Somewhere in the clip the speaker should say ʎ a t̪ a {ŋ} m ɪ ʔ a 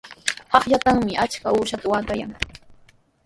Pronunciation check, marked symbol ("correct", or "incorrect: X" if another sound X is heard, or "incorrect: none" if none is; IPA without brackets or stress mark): correct